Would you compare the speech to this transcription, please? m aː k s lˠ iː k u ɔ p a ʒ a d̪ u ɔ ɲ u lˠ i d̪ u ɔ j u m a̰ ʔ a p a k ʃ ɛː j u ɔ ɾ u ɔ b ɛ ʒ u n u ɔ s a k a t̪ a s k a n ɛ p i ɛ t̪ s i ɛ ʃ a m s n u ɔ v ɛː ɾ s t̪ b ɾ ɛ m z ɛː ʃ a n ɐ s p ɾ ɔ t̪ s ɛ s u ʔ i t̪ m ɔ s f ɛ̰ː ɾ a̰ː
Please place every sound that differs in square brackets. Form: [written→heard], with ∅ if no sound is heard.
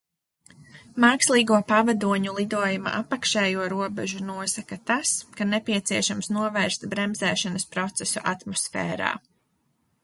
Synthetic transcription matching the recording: m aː k s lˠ iː [k→ɡ] u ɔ p a [ʒ→v] a d̪ u ɔ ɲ u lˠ i d̪ u ɔ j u m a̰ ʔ a p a k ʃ ɛː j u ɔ ɾ u ɔ b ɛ ʒ u n u ɔ s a k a t̪ a s k a n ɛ p i ɛ t̪ s i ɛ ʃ a m s n u ɔ v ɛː ɾ s t̪ b ɾ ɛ m z ɛː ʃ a n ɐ s p ɾ ɔ t̪ s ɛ s u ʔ [i→a] t̪ m ɔ s f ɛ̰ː ɾ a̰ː